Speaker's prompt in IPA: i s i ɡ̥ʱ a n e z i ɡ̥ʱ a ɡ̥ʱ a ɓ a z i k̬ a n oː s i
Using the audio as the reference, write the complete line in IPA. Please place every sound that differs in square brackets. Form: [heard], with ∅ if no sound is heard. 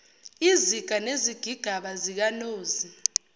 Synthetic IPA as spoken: i [z] i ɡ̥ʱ a n e z i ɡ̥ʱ [i] ɡ̥ʱ a ɓ a z i k̬ a n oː [z] i